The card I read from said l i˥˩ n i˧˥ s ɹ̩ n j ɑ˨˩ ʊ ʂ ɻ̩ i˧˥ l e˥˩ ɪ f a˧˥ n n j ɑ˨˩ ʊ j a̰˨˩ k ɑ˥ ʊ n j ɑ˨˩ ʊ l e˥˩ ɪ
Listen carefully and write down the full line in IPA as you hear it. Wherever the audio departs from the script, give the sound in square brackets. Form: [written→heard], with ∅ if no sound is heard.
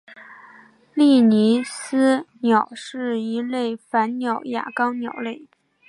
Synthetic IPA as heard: l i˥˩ n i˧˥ s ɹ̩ n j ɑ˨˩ ʊ ʂ ɻ̩ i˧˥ l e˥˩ ɪ f a˧˥ n n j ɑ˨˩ ʊ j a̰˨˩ k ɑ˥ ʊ n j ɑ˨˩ ʊ l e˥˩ ɪ